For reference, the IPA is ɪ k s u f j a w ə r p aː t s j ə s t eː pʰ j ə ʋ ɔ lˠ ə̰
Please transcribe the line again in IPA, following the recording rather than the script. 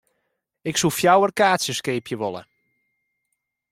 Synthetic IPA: ɪ k s u f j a w ə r k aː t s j ə s k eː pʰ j ə ʋ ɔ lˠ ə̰